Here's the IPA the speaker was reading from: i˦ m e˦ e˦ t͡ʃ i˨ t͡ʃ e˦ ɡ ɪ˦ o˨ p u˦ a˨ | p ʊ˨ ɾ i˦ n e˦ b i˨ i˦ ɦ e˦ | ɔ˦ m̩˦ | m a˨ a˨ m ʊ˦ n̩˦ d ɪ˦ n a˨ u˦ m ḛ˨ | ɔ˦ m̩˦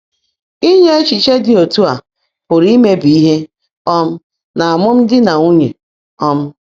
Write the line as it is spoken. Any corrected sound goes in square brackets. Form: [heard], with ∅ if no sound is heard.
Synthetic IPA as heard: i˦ [ɲ] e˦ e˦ t͡ʃ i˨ t͡ʃ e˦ [d] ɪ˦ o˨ [t] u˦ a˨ | p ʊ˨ ɾ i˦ [m] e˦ b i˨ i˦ ɦ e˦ | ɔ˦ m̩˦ | [n] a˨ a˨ m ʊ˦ [m̩˦] d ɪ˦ n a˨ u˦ [ɲ] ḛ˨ | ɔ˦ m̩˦